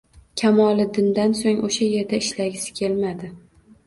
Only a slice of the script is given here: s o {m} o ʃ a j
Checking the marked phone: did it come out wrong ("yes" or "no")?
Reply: yes